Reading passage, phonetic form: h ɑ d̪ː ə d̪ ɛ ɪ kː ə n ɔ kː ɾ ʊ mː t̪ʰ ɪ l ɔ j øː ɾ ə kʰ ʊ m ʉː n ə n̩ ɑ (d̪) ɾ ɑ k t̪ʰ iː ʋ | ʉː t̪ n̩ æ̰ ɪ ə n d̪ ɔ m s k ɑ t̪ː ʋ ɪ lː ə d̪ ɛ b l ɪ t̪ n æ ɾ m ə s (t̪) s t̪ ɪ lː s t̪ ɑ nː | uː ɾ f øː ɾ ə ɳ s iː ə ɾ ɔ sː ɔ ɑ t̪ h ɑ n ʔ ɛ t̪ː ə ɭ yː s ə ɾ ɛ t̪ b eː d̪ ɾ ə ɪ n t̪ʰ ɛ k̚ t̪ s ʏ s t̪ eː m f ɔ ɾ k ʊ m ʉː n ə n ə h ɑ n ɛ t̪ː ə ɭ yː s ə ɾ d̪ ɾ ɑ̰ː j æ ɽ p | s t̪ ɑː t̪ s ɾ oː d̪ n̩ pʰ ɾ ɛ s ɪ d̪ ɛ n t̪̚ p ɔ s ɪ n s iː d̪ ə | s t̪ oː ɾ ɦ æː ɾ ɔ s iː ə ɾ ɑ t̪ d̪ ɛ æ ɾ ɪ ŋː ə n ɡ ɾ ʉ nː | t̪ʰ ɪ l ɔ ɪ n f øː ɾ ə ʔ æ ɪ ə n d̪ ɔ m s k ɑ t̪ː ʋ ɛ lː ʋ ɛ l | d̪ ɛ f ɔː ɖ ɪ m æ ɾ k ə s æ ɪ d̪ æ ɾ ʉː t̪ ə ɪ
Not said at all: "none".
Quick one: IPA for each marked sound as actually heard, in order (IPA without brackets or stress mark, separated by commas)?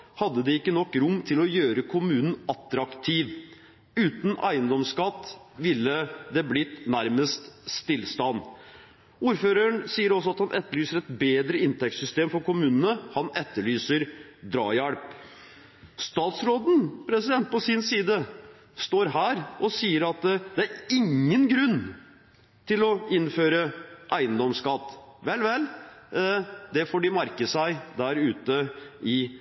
t̪, t̪